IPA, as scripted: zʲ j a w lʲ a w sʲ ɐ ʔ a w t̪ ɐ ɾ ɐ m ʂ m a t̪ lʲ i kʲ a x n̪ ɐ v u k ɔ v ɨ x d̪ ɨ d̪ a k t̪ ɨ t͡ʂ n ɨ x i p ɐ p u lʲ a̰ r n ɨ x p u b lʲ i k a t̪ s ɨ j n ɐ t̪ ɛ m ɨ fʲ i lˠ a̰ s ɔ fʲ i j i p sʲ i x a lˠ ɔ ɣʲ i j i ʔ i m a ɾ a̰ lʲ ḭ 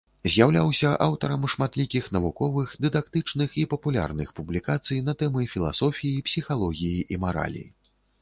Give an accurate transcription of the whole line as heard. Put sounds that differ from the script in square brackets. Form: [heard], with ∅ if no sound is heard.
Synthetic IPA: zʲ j a w lʲ a w sʲ ɐ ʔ a w t̪ ɐ ɾ ɐ m ʂ m a t̪ lʲ i kʲ [i] x n̪ ɐ v u k ɔ v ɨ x d̪ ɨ d̪ a k t̪ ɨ t͡ʂ n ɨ x i p ɐ p u lʲ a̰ r n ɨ x p u b lʲ i k a t̪ s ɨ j n ɐ t̪ ɛ m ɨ fʲ i lˠ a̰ s ɔ fʲ i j i p sʲ i x a lˠ ɔ ɣʲ i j i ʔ i m a ɾ a̰ lʲ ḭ